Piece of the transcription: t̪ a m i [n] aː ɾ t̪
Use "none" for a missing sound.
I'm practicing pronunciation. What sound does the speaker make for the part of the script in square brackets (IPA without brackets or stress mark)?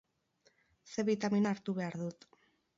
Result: n